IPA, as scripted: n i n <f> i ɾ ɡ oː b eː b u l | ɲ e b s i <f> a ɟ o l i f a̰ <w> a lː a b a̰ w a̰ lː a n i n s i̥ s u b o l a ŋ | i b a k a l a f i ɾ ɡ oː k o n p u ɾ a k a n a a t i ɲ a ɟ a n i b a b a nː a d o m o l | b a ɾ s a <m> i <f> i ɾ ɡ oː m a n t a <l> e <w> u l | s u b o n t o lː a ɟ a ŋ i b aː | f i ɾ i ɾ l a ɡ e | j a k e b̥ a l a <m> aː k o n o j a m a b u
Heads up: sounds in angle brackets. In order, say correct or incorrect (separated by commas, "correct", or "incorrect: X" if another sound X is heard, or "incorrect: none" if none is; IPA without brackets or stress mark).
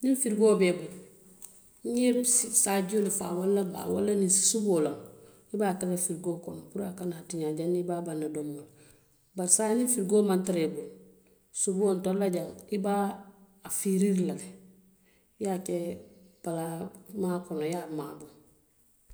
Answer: correct, incorrect: s, correct, incorrect: n, correct, incorrect: ɾ, incorrect: b, correct